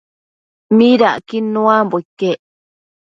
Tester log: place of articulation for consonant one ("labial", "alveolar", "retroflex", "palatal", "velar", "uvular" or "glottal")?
labial